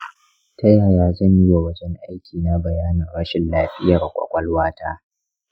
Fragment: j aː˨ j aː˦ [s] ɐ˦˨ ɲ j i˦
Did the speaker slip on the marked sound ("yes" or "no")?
yes